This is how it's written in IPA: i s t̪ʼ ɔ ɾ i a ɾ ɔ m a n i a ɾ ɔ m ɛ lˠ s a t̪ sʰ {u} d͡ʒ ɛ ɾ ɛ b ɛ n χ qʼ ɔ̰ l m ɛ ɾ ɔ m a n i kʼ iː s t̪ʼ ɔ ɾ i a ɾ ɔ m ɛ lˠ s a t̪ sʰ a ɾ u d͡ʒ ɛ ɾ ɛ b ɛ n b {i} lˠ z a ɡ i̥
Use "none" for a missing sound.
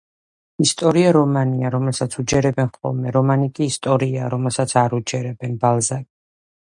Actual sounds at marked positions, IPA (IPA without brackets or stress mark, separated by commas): u, a